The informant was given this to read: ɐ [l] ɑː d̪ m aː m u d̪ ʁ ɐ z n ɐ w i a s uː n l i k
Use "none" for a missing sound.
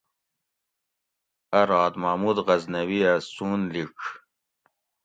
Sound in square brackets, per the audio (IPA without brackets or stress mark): ɾ